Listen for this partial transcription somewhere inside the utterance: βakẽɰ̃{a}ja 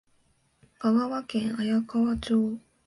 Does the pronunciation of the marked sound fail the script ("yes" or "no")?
no